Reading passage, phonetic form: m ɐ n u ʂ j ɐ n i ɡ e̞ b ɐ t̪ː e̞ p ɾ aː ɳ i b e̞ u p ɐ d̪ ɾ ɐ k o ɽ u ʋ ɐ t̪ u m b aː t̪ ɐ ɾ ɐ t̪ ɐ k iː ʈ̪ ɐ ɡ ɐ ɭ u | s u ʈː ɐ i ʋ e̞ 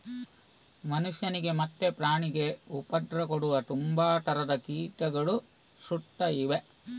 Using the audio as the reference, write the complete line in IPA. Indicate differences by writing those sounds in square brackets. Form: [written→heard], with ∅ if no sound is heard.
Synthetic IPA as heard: m ɐ n u ʂ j ɐ n i ɡ e̞ [b→m] ɐ t̪ː e̞ p ɾ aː ɳ i [b→ɡ] e̞ u p ɐ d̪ ɾ ɐ k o ɽ u ʋ ɐ t̪ u m b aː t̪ ɐ ɾ ɐ [t̪→d̪] ɐ k iː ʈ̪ ɐ ɡ ɐ ɭ u | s u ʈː ɐ i ʋ e̞